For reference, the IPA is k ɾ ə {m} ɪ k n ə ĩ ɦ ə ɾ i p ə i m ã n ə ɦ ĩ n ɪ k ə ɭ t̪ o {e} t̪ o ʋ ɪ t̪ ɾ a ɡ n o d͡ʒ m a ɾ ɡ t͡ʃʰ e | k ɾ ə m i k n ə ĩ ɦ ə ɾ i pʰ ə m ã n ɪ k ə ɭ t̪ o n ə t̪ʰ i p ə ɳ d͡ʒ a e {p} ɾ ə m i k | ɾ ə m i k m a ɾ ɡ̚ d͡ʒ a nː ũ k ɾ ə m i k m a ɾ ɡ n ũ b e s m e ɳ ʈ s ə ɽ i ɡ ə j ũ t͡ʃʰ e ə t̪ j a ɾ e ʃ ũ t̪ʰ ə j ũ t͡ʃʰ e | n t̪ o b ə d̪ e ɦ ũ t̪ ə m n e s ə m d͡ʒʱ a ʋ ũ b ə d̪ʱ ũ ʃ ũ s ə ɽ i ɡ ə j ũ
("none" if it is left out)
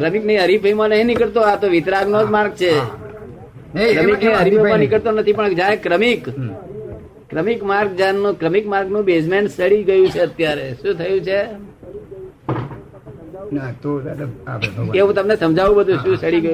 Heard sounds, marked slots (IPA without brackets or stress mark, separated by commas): m, a, k